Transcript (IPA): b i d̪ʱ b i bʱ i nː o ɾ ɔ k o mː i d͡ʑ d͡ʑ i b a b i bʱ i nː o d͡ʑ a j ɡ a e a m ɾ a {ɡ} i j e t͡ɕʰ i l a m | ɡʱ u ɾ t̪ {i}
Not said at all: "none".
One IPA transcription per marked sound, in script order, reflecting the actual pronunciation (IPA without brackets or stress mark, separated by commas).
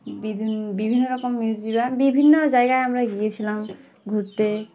ɡ, e